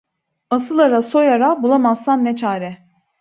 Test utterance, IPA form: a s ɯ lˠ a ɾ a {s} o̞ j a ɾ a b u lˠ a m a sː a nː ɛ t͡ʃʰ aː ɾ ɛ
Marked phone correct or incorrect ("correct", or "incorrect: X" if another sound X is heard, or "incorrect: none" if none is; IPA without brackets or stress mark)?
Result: correct